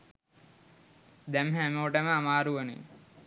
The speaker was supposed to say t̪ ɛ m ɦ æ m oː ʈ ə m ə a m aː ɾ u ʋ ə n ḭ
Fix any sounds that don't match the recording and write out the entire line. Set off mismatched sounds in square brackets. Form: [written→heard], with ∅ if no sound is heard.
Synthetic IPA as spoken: [t̪→d̪] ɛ m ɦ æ m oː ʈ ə m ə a m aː ɾ u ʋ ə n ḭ